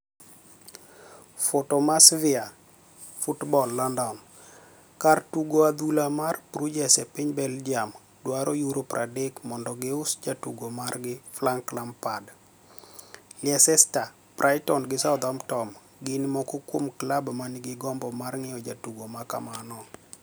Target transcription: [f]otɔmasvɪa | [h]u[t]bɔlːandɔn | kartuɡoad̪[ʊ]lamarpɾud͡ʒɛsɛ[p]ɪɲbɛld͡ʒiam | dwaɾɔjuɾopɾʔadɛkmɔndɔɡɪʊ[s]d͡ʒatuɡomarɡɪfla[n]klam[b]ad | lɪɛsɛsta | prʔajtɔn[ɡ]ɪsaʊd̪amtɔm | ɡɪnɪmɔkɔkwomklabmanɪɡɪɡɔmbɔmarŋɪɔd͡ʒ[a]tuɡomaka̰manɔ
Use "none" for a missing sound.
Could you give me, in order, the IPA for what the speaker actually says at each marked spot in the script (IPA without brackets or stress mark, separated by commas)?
f, f, t, u, p, s, ŋ, p, ɡ, a